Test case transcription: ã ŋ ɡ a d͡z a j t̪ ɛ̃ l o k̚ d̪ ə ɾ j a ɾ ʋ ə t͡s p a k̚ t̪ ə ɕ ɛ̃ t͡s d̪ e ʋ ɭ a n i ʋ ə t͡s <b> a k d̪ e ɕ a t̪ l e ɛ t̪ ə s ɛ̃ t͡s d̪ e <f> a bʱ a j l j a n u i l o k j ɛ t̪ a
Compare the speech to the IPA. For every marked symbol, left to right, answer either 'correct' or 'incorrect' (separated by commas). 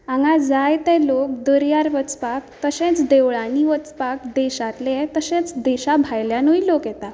incorrect, incorrect